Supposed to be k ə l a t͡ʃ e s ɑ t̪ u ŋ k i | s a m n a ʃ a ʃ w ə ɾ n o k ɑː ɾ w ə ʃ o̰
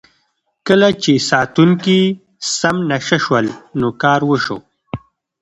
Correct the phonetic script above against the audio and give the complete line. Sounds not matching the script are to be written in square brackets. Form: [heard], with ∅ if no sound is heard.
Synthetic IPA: k ə l a t͡ʃ e s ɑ t̪ u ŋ k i | s a m n a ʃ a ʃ w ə [l] n o k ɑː ɾ w ə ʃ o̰

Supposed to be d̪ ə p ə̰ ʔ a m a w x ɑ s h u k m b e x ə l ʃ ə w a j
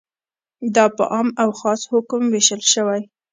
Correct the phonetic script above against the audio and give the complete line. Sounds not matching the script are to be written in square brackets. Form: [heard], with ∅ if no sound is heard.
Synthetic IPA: d̪ [ɑ] p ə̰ ʔ [ɑ] m a w x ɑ s h [ʊ] k m [w] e [ʃ] ə l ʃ ə w a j

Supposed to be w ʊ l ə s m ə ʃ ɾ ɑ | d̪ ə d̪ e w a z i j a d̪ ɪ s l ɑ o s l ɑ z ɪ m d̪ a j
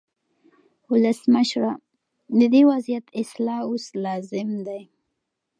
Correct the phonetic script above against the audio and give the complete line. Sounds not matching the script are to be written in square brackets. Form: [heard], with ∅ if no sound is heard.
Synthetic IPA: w ʊ l ə s m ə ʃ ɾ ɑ | d̪ ə d̪ e w a z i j a [t̪] ɪ s l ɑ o s l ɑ z ɪ m d̪ a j

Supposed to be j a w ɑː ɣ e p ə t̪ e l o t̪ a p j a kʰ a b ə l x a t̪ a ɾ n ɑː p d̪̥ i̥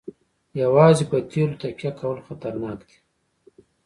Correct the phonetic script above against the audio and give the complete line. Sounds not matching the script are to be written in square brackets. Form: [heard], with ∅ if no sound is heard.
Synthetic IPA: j a w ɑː [z] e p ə t̪ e l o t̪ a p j a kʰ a [w] ə l x a t̪ a ɾ n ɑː [k] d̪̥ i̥

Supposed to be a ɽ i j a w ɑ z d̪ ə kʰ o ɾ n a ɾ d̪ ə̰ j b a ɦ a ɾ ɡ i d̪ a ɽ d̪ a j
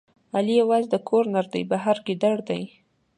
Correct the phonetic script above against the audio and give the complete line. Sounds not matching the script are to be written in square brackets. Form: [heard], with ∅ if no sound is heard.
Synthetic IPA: a [l] i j a w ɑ z d̪ ə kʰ o ɾ n a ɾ d̪ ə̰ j b a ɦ a ɾ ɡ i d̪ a ɽ d̪ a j

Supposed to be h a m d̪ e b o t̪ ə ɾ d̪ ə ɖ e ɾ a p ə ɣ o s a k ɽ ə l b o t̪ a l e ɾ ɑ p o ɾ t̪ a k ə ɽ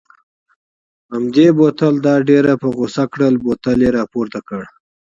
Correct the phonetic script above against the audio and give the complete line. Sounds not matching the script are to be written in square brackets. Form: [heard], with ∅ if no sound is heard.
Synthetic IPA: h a m d̪ e b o t̪ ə [l] d̪ [ɑ] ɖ e ɾ a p ə ɣ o s a k ɽ ə l b o t̪ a l e ɾ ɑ p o ɾ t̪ a k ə ɽ

